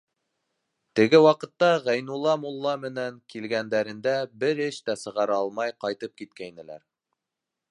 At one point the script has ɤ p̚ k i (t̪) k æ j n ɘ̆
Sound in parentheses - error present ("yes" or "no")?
no